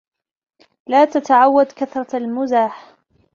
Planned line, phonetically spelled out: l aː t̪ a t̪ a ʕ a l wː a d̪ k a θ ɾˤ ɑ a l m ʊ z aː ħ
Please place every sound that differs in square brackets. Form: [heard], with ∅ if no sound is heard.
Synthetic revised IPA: l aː t̪ a t̪ a ʕ a [∅] wː a d̪ k a θ ɾˤ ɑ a l m ʊ z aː ħ